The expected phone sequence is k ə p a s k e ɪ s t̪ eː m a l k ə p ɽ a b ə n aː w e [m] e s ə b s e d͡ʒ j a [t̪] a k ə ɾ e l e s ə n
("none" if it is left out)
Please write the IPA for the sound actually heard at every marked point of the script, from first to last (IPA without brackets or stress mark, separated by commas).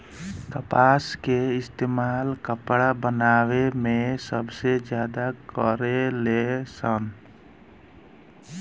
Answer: m, d̪